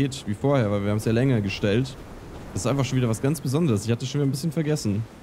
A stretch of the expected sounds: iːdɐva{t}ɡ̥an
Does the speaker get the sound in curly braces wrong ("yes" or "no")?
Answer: yes